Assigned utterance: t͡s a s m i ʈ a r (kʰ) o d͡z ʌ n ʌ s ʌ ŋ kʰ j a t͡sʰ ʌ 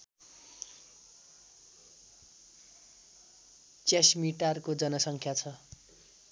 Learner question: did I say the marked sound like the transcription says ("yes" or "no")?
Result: no